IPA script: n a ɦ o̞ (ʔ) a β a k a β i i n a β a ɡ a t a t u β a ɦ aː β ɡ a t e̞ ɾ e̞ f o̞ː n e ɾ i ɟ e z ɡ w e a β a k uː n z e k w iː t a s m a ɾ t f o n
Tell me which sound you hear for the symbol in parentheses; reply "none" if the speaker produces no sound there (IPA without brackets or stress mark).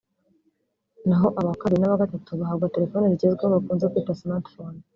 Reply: ʔ